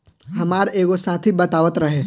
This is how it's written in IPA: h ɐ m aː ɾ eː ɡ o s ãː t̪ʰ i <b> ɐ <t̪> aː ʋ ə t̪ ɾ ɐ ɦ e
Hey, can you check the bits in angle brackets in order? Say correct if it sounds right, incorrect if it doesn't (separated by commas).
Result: correct, correct